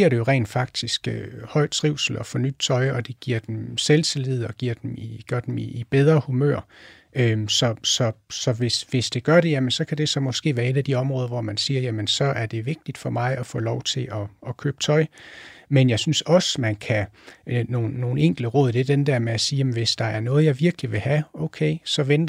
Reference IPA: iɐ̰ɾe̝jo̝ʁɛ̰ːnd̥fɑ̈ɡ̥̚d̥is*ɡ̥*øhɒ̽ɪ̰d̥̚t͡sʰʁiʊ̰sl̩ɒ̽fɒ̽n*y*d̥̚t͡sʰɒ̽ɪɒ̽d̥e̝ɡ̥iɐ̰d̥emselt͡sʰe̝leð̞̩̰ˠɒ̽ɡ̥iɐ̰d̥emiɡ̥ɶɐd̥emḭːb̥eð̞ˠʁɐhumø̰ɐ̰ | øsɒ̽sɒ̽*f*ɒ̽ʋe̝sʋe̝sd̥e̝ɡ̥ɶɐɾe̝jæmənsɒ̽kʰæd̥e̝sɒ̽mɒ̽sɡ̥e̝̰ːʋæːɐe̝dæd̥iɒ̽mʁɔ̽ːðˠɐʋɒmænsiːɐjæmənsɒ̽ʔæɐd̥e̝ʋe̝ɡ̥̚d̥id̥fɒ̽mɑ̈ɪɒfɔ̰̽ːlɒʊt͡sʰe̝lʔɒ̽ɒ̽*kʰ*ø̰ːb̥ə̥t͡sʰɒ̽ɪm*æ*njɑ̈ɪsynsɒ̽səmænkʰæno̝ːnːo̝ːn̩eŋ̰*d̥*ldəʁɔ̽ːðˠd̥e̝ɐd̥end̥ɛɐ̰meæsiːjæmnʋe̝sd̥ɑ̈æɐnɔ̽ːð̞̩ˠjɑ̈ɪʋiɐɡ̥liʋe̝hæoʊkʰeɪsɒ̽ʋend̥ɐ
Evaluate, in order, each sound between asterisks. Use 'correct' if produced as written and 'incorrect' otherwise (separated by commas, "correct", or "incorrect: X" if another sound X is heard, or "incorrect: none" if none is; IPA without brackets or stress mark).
correct, correct, incorrect: s, correct, incorrect: e, incorrect: ɡ̥